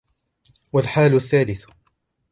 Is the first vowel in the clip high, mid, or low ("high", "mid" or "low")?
low